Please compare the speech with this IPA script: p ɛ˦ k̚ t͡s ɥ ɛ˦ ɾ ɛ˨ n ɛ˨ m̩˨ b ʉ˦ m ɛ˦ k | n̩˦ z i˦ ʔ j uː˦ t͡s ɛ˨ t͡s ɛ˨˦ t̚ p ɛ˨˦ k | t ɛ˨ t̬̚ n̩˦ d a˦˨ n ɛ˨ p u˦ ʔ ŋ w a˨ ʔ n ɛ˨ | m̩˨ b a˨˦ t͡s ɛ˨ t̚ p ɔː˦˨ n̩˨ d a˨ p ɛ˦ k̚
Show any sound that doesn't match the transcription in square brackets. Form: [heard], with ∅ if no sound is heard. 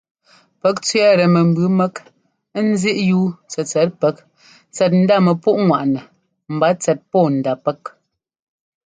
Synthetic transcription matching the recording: p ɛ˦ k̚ t͡s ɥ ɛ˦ ɾ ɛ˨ [m] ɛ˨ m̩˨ b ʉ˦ m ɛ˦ k | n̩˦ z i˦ ʔ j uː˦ t͡s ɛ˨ t͡s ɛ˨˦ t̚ p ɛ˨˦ k | [t͡s] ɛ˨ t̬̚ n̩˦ d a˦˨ [m] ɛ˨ p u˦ ʔ ŋ w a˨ ʔ n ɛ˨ | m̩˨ b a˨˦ t͡s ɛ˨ t̚ p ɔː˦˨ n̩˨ d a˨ p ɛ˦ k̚